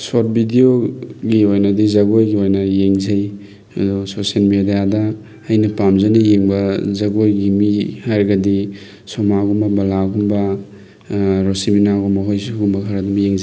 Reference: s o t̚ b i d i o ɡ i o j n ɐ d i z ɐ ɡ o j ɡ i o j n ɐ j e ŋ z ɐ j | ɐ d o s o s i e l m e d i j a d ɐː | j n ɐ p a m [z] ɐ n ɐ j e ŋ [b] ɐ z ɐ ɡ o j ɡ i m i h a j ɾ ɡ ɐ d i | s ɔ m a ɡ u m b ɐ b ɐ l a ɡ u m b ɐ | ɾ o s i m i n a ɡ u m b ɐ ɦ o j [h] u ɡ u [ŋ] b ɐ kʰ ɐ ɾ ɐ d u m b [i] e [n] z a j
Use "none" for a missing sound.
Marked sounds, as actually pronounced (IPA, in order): z, b, s, m, j, ŋ

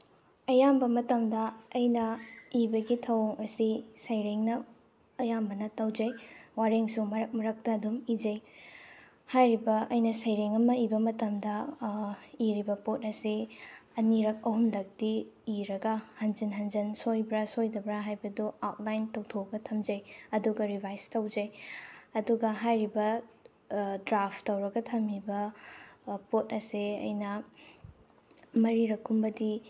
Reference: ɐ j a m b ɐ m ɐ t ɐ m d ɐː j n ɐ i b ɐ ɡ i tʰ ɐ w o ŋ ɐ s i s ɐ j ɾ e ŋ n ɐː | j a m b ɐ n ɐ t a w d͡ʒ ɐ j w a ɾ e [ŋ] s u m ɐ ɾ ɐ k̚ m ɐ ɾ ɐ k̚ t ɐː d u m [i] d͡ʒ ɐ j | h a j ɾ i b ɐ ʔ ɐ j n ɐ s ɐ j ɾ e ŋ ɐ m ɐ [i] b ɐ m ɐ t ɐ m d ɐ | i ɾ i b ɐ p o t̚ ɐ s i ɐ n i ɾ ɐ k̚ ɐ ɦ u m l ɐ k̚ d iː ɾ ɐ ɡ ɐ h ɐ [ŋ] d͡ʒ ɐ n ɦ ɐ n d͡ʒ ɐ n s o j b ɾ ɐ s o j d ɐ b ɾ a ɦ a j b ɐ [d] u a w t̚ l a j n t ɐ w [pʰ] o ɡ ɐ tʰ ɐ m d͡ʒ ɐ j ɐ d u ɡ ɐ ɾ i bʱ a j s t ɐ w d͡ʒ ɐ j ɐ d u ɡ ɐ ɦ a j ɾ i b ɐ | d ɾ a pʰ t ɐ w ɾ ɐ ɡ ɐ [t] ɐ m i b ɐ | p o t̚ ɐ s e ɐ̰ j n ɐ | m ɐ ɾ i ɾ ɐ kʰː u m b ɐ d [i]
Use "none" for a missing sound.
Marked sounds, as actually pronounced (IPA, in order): ŋ, i, i, n, d, tʰ, tʰ, i

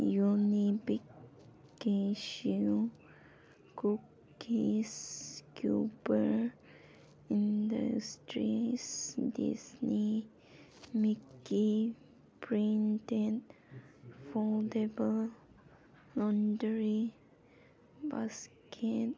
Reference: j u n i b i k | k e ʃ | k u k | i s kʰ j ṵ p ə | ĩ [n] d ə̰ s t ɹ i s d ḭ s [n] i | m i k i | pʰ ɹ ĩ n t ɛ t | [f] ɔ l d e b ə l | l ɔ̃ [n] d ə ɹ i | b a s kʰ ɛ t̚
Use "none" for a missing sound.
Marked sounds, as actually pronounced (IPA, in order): n, n, f, n

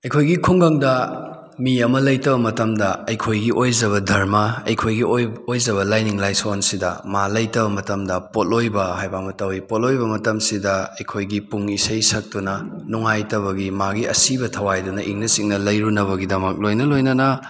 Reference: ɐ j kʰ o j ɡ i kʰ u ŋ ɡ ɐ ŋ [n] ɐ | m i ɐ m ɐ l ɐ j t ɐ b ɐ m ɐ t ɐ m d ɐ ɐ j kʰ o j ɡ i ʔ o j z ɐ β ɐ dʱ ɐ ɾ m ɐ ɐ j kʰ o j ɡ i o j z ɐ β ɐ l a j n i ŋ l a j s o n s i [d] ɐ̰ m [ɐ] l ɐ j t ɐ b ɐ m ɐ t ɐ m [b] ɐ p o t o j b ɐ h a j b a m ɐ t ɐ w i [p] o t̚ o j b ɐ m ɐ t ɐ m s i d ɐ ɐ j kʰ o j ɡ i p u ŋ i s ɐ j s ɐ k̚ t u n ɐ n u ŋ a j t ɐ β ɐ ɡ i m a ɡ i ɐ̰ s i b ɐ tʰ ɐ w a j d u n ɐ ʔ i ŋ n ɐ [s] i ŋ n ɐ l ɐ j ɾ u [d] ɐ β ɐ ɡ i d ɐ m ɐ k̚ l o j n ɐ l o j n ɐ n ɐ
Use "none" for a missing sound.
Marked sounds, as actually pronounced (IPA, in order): d, d, a, d, p, s, n

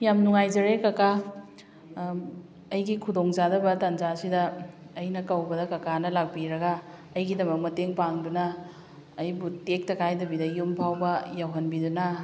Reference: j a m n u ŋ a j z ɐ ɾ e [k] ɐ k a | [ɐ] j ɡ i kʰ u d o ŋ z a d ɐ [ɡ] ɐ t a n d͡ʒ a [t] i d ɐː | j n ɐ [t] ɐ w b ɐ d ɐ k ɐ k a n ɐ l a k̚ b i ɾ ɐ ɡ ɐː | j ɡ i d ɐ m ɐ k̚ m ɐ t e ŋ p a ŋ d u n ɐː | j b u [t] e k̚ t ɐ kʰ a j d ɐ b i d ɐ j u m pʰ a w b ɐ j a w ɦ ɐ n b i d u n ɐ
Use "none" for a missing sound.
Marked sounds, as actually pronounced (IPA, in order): k, ɐ, b, s, k, t

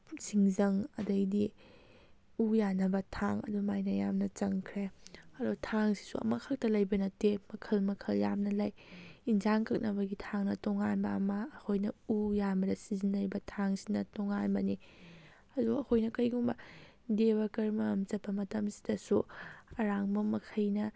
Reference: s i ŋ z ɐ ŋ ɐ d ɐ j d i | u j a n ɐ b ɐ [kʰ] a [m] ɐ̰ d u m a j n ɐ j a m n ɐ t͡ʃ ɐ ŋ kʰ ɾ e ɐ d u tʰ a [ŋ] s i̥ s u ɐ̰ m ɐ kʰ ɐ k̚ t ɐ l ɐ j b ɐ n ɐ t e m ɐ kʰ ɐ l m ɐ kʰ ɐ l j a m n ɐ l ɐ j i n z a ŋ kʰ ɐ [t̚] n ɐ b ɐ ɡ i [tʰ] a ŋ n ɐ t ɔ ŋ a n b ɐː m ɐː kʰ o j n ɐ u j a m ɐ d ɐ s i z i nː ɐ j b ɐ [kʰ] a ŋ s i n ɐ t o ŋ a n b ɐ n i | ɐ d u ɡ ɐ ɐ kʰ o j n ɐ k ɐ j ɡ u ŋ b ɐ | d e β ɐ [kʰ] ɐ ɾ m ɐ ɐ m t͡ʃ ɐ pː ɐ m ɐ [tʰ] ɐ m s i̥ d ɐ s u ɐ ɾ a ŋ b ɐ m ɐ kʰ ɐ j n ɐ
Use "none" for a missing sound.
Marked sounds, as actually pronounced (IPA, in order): tʰ, ŋ, ŋ, k̚, tʰ, tʰ, k, t

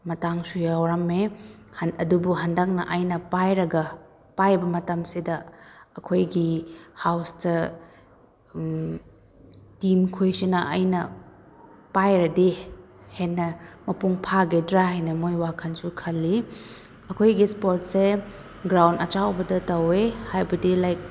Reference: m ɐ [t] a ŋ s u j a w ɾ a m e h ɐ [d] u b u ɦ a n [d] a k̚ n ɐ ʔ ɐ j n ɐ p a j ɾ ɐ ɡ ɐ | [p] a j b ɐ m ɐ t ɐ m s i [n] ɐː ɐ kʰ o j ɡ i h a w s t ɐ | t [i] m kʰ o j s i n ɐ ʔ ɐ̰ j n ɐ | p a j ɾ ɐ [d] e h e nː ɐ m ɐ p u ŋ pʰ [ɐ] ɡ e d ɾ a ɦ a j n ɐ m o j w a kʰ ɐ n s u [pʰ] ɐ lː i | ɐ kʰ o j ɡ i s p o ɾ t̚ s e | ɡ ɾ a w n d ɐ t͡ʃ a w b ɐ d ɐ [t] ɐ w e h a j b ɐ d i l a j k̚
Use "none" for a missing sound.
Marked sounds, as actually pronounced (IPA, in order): t, d, d, p, d, i, d, a, kʰ, t

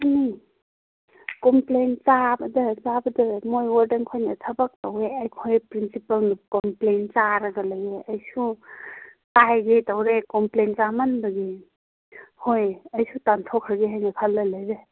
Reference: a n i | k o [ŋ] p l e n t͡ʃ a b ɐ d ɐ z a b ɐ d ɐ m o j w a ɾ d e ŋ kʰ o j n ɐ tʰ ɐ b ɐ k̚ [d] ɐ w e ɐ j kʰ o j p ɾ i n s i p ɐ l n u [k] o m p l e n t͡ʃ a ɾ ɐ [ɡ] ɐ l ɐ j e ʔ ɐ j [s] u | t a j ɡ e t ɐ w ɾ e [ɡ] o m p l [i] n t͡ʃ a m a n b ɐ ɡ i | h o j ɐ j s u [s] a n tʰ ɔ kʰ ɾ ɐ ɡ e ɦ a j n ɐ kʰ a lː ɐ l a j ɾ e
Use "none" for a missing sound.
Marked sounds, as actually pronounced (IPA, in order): m, t, k, ɡ, s, k, e, t

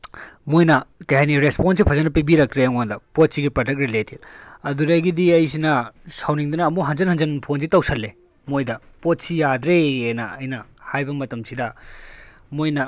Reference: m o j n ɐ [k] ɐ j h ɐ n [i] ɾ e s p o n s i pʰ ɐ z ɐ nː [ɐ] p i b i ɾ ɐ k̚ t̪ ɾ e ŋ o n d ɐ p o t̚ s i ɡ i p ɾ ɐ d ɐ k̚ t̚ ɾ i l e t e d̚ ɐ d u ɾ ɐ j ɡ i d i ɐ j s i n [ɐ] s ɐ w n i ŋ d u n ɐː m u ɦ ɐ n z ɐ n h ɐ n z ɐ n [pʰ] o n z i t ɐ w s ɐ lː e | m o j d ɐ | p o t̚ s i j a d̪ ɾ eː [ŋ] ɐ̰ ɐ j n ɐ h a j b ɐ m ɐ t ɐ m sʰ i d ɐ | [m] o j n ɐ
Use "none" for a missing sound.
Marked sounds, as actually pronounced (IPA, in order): k, i, ɐ, ɐ, pʰ, n, m

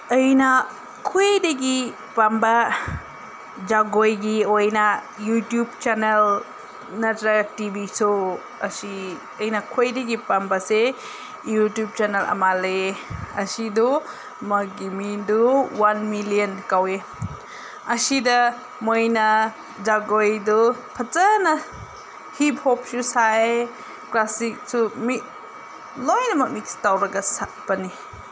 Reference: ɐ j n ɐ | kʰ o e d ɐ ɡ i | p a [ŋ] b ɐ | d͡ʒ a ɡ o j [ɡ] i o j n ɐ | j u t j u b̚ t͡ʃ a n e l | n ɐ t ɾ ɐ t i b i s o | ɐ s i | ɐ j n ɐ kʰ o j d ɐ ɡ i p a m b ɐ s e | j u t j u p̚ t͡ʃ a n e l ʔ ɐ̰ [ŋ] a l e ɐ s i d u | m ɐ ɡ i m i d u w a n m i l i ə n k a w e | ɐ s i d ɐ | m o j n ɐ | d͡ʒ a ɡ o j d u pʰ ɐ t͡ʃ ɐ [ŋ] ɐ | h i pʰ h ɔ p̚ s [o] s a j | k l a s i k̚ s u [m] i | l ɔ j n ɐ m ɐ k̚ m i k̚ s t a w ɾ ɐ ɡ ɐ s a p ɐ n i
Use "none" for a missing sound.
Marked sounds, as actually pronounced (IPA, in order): m, ɡ, m, n, u, m

